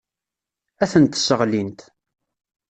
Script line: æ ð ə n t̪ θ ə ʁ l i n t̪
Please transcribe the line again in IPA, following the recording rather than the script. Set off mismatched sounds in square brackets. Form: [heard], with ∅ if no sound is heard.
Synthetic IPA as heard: æ [θ] ə n t̪ [s] ə ʁ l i n t̪